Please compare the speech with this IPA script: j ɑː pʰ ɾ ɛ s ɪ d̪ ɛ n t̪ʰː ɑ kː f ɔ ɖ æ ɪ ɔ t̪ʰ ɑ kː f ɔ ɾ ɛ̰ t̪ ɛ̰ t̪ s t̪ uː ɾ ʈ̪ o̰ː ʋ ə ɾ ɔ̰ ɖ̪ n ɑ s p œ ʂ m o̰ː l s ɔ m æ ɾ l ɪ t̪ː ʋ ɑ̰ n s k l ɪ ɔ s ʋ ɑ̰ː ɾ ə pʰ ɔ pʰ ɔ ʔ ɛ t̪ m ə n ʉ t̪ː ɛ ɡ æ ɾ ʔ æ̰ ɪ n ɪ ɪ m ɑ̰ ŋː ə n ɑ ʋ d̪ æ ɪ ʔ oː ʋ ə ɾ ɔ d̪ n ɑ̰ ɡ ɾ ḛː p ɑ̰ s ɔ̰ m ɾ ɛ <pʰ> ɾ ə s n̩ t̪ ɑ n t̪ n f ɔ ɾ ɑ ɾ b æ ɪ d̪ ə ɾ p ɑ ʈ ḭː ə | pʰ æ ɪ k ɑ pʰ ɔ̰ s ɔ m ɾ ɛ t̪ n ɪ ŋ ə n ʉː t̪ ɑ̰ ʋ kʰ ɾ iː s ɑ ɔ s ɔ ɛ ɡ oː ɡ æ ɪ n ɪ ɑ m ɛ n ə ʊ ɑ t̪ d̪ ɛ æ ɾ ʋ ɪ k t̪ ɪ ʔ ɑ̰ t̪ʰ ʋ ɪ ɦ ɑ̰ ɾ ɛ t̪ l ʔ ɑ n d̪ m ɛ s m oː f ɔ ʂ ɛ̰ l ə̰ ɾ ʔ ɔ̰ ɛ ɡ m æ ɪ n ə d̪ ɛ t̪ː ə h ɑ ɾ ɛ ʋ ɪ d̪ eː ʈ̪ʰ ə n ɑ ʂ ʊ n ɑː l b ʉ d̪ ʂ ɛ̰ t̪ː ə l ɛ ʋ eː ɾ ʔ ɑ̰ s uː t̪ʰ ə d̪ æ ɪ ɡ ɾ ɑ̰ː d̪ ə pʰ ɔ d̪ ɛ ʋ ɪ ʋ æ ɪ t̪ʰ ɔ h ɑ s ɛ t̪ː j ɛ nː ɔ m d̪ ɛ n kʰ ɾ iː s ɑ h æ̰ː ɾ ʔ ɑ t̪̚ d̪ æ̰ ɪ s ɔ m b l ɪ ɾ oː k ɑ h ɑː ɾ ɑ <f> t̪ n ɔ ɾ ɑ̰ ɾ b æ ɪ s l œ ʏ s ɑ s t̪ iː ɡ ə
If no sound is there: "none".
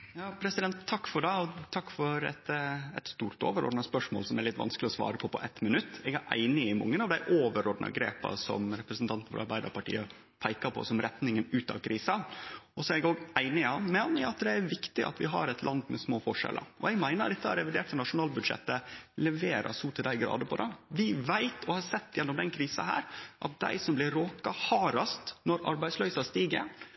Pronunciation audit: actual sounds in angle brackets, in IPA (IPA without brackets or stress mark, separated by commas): p, s